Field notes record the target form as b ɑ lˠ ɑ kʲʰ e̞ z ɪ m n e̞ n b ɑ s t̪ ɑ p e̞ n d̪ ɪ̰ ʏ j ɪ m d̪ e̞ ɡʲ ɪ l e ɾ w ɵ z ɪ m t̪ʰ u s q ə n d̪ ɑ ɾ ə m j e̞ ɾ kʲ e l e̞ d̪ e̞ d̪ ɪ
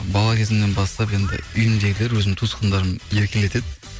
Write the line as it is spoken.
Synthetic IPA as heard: b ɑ lˠ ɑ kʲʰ e̞ z ɪ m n e̞ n b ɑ s t̪ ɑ p e̞ n d̪ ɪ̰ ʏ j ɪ m d̪ e̞ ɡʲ ɪ l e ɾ w ɵ z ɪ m t̪ʰ u s q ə n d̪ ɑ ɾ ə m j e̞ ɾ kʲ e l e̞ t̪ e̞ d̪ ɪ